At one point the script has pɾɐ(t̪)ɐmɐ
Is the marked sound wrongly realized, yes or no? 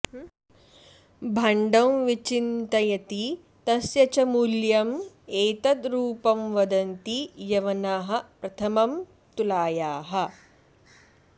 yes